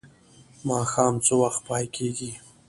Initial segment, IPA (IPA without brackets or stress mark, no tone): m